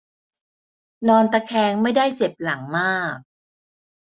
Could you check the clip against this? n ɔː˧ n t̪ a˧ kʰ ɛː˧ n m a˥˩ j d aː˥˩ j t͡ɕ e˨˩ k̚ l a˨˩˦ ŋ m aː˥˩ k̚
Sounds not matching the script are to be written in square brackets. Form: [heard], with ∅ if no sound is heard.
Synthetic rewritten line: n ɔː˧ n t̪ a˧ kʰ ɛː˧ [ŋ] m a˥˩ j d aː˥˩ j t͡ɕ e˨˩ [p̚] l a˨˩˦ ŋ m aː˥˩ k̚